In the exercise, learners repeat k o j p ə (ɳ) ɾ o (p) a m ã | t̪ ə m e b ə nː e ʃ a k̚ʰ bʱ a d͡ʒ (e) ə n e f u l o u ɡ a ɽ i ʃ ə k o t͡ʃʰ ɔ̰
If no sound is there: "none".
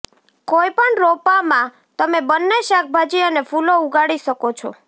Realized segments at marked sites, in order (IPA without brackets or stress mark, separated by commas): ɳ, p, i